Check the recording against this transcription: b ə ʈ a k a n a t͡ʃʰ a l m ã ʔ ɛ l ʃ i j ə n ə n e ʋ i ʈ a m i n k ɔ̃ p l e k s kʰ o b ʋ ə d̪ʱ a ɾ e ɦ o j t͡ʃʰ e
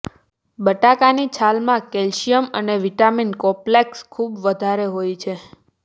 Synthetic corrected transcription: b ə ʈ a k a n i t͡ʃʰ a l m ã k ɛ l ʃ i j ə m ə n e ʋ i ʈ a m i n k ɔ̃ p l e k s kʰ u b ʋ ə d̪ʱ a ɾ e ɦ o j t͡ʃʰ e